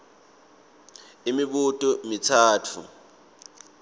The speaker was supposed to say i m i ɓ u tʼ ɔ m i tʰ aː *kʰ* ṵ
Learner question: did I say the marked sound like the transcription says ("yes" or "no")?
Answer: no